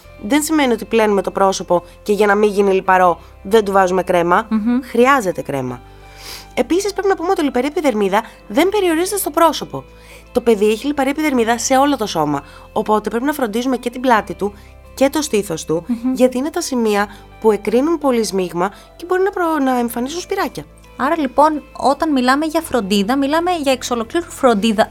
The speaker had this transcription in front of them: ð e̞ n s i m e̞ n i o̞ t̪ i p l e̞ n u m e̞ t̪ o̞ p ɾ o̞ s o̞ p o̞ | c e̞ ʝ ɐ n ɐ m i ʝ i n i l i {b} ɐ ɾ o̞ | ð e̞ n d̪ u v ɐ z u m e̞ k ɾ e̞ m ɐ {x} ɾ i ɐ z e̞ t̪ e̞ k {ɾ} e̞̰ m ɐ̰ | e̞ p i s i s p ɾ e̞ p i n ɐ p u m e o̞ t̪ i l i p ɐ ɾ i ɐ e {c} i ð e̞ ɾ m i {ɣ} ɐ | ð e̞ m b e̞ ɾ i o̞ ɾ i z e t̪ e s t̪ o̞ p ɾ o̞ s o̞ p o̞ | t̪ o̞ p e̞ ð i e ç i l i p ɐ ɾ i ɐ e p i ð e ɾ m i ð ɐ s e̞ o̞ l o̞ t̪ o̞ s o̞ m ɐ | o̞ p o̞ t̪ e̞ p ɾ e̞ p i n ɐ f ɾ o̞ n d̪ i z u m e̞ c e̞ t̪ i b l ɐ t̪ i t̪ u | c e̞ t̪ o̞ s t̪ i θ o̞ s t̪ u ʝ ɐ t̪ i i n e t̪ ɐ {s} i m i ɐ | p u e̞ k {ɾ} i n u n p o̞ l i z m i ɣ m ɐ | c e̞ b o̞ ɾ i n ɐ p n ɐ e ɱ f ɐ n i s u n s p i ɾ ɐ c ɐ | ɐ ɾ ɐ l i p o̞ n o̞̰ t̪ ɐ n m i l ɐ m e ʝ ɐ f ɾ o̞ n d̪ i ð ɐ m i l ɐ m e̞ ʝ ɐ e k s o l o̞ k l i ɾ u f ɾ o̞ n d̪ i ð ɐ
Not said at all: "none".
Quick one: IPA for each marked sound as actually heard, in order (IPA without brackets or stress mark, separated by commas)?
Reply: p, x, ɾ, p, ð, s, ɾ